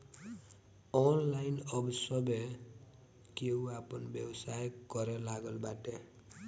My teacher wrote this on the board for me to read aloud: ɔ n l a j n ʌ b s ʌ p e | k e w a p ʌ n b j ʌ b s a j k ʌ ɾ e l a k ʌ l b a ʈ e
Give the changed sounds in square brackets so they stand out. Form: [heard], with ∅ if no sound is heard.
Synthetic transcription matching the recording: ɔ n l a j n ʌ b s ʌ [b] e | k e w a p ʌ n b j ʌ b s a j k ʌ ɾ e l a [ɡ] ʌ l b a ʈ e